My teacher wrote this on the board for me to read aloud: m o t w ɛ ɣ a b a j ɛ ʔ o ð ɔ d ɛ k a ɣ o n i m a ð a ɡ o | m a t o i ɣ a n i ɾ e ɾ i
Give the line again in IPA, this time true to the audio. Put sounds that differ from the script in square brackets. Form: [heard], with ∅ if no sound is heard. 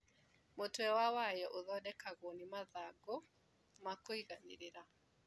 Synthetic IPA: m o t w ɛ [w] a [w] a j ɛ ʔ o ð ɔ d ɛ k a ɣ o n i m a ð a ɡ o | m a [k] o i ɣ a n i ɾ e ɾ [a]

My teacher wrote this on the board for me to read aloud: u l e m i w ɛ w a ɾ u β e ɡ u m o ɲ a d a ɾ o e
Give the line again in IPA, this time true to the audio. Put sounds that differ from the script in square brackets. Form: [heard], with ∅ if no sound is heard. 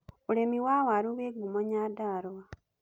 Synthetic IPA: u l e m i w [a] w a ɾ u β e ɡ u m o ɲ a d a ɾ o [a]

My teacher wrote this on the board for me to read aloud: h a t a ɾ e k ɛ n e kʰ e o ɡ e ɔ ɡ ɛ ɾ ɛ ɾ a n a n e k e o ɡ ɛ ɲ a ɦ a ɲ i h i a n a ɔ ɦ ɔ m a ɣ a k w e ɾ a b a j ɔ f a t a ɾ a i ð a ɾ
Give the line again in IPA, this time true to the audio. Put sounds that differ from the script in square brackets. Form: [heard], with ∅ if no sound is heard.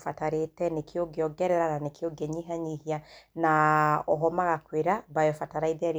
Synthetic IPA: [f] a t a ɾ e [t] ɛ n e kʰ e o ɡ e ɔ ɡ ɛ ɾ ɛ ɾ a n a n e k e o ɡ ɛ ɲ [i] ɦ a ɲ i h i a n a ɔ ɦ ɔ m a ɣ a k w e ɾ a b a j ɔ f a t a ɾ a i ð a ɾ

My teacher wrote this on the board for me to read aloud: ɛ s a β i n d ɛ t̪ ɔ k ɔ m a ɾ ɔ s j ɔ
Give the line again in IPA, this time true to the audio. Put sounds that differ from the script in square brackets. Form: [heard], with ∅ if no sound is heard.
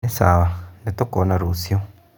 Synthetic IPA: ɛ s a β [a] n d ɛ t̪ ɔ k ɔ [n] a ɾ [u] s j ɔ

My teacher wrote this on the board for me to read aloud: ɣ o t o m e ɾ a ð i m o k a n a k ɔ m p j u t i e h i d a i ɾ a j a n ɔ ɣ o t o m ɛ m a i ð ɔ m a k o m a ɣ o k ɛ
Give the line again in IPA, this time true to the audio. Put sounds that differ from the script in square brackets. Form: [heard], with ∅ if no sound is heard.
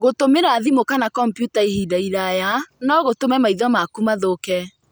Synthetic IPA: ɣ o t o m e ɾ a ð i m o k a n a k ɔ m p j u t [a] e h i d a i ɾ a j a n ɔ ɣ o t o m ɛ m a i ð ɔ m a k [u] m a [ð] o k ɛ

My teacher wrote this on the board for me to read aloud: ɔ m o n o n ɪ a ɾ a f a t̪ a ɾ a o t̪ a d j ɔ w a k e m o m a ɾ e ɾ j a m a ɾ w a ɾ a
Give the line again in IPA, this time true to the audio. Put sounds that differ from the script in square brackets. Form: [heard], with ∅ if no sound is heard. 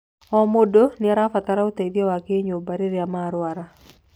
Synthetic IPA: ɔ m o [d] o n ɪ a ɾ a f a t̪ a ɾ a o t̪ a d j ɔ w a k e [ɲ] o [b] a ɾ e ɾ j a m a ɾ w a ɾ a

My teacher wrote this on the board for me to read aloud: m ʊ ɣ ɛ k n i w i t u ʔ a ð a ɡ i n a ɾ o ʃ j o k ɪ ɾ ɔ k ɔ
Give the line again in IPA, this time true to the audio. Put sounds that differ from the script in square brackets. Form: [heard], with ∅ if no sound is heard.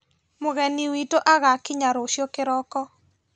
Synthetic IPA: m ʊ ɣ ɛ [∅] n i w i t [o] ʔ a [ɣ] a [k] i [ɲ] a ɾ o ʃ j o k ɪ ɾ ɔ k ɔ

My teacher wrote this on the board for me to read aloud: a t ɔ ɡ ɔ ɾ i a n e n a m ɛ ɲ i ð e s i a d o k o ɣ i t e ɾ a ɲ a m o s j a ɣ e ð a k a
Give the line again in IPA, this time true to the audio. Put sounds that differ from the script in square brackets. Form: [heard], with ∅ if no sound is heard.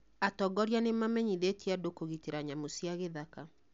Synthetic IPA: a t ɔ ɡ ɔ ɾ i a n e [m] a m ɛ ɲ i ð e [t] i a d o k o ɣ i t e ɾ a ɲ a m o s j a ɣ e ð a k a

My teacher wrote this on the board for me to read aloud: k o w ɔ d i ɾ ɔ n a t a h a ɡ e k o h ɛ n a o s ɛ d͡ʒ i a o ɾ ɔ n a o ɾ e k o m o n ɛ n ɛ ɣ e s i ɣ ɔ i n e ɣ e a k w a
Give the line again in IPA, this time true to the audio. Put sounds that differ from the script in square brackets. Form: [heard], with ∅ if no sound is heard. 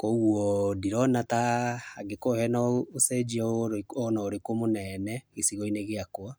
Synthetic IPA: k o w ɔ d i ɾ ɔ n a t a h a ɡ e k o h ɛ n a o s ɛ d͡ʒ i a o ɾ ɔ n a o ɾ e k o m o n ɛ n ɛ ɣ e s i ɣ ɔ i n e ɣ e a k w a

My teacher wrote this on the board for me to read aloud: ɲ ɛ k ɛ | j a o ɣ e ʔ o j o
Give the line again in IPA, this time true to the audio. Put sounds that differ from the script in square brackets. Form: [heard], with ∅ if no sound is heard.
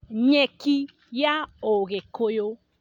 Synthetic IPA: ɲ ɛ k [i] | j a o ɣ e [k] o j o

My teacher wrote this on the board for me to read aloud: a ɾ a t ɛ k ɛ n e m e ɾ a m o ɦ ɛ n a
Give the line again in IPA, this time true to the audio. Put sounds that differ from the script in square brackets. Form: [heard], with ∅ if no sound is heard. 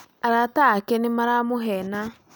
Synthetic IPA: a ɾ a t [a] k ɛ n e m [a] ɾ a m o ɦ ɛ n a

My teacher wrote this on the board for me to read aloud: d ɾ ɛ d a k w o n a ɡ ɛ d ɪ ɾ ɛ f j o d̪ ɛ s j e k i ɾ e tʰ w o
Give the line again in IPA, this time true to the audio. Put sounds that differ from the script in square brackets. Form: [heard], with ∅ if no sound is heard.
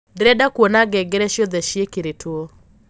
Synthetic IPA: d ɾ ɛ d a k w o n a ɡ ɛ [ɡ] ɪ ɾ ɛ [ʃ] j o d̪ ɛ [ʃ] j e k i ɾ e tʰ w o

